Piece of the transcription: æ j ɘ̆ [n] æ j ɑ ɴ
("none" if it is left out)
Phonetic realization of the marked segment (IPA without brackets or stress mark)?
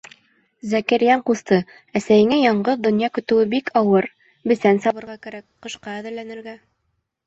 ŋ